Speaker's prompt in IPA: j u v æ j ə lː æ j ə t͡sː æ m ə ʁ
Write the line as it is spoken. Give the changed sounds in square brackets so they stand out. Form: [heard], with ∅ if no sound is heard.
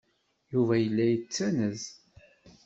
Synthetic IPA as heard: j u v æ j ə lː æ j ə t͡sː æ [n] ə [z]